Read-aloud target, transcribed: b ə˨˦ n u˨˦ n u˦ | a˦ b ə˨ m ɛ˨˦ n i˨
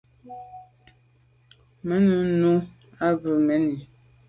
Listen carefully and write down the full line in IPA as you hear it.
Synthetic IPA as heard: m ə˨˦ n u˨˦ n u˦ | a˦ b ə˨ m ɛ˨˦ n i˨